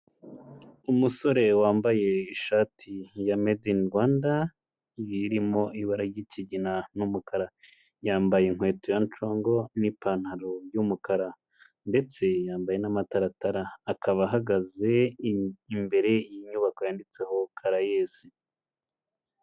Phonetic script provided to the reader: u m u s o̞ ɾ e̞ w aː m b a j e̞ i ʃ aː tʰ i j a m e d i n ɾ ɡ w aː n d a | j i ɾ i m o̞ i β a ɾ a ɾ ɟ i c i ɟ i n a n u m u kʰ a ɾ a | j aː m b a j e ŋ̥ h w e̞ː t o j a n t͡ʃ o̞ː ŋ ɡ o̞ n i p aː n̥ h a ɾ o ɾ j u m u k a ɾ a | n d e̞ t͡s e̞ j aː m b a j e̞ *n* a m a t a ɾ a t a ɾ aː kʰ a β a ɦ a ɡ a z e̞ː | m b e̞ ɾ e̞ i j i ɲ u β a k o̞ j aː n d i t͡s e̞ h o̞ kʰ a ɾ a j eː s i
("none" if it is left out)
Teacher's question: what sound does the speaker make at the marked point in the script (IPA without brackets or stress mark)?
n